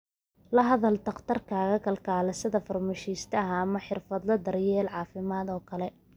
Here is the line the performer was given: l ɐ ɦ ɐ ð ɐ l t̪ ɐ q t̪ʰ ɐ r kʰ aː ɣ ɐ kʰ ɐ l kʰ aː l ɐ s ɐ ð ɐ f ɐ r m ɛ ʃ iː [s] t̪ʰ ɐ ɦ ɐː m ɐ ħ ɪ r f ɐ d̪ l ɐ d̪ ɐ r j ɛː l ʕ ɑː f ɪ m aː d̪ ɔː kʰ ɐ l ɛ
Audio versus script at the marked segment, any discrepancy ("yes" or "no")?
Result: no